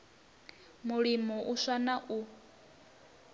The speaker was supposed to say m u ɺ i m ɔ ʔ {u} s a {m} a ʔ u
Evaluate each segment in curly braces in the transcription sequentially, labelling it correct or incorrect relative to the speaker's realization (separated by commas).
correct, incorrect